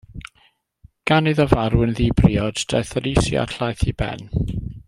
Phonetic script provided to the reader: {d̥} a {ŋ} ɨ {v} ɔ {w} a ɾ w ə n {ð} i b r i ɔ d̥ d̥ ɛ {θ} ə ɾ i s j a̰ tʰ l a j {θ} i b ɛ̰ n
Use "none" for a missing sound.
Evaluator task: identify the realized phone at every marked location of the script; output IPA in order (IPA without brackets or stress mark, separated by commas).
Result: ɡ̥, n, ð, v, ð, θ, θ